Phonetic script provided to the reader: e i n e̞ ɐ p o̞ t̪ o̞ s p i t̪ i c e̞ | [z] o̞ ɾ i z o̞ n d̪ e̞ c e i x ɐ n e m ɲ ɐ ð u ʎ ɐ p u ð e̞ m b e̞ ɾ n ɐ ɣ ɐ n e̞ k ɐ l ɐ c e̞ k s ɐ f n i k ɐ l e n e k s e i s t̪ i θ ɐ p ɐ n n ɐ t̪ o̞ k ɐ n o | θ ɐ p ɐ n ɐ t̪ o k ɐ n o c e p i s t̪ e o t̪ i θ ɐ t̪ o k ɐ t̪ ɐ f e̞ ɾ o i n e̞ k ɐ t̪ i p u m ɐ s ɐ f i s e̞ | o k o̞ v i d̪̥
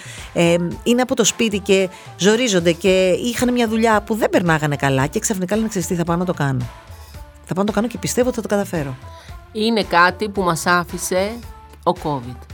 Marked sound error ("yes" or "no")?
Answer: no